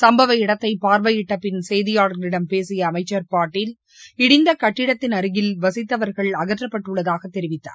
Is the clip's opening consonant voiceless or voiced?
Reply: voiceless